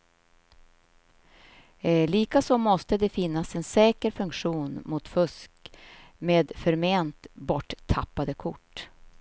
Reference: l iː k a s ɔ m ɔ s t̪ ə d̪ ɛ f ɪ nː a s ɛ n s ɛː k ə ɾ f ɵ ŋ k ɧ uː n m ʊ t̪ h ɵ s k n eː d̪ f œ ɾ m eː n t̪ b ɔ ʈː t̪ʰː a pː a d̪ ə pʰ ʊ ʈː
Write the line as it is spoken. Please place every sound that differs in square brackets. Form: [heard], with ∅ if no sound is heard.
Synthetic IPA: l iː k a s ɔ m ɔ s t̪ ə d̪ ɛ f ɪ nː a s ɛ n s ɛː k ə ɾ f ɵ ŋ k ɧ uː n m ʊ t̪ [f] ɵ s k [m] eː d̪ f œ ɾ m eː n t̪ b ɔ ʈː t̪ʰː a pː a d̪ ə [kʰ] ʊ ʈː